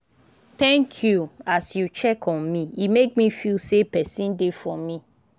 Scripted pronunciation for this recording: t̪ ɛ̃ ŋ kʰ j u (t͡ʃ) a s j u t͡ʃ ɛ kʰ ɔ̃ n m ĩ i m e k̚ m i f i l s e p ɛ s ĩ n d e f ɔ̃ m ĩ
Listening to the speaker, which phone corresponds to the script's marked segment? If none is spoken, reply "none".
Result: none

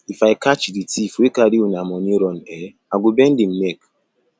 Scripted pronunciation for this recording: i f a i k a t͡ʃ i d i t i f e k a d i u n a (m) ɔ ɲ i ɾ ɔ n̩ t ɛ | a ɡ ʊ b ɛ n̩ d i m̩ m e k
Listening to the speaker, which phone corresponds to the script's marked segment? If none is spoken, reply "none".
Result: m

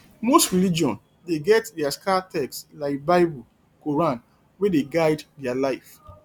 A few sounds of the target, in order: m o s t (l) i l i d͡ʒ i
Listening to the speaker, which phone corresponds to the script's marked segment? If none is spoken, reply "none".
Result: ɹ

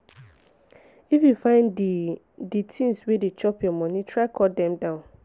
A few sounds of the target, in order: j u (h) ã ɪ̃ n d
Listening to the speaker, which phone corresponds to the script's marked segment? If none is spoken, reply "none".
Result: f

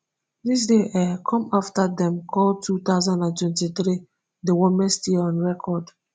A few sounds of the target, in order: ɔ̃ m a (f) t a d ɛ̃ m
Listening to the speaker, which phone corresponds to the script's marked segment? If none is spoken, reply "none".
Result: f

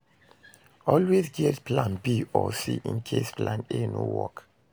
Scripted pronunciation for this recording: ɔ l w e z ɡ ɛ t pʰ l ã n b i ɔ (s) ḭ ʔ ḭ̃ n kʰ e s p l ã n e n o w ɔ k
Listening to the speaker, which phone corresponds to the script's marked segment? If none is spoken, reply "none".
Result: s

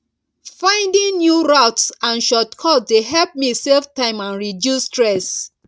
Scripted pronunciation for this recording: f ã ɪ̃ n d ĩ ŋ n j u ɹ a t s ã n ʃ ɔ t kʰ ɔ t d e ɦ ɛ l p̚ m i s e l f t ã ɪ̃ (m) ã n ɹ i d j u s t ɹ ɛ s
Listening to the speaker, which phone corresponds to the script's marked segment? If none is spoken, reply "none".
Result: m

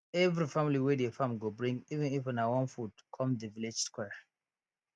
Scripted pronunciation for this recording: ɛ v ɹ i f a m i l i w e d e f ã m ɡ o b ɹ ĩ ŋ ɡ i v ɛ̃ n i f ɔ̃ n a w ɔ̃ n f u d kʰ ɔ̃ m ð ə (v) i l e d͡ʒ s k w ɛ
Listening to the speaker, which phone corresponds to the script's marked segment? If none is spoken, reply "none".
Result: v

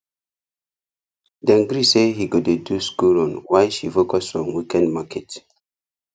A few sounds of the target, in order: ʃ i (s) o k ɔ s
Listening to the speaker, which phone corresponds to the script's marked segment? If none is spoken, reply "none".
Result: f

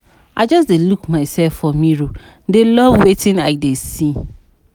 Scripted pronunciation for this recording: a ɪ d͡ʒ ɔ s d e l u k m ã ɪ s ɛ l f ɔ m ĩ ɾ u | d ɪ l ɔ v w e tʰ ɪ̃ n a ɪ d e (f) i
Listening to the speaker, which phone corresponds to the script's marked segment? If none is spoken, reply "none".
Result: s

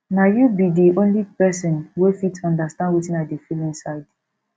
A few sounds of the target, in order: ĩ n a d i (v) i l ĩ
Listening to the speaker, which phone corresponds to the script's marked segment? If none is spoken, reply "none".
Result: f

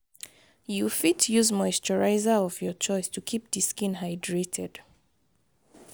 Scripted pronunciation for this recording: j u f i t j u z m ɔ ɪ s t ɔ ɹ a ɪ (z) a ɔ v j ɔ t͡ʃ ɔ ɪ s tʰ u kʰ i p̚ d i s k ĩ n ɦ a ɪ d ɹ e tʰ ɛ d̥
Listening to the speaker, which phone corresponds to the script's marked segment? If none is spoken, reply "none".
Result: z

